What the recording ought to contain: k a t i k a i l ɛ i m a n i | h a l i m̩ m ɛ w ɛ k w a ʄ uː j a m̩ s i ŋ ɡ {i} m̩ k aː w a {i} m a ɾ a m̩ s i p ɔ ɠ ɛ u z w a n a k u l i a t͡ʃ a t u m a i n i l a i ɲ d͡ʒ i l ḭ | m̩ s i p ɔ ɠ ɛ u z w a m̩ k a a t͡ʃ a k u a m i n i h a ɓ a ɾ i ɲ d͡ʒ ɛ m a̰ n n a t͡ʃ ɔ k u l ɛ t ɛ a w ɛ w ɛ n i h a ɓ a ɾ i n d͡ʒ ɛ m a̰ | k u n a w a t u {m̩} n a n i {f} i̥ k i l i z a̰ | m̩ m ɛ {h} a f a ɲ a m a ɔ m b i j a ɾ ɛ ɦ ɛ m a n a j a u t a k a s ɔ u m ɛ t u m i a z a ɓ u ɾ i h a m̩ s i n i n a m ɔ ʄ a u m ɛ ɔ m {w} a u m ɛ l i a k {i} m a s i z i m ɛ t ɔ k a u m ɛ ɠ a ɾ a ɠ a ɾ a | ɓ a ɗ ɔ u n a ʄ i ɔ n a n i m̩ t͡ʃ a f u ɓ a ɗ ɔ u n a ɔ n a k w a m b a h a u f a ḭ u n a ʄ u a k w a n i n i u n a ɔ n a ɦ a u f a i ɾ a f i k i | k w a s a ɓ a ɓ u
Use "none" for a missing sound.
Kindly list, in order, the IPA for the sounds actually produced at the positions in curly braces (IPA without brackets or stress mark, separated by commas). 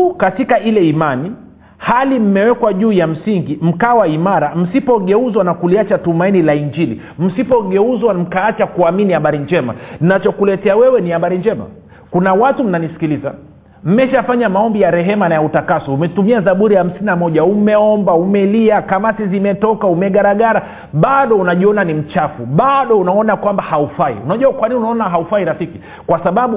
i, i, m̩, s, ʃ, b, a